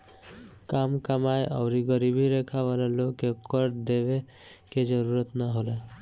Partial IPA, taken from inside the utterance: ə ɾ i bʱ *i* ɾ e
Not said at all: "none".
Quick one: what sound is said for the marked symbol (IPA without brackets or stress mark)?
i